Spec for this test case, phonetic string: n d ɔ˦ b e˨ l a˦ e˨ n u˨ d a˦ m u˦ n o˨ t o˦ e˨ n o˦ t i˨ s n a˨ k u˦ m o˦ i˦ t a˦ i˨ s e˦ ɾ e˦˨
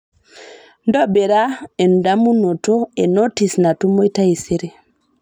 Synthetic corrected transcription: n d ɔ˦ b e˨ ɾ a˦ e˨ n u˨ d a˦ m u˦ n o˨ t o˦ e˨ n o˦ t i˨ s n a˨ t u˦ m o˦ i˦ t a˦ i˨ s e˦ ɾ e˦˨